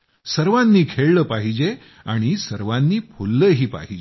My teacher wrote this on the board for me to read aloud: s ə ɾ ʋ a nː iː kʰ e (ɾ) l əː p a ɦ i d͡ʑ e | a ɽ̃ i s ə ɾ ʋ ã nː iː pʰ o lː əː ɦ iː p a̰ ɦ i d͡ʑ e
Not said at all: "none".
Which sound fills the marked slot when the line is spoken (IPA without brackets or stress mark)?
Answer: ɭ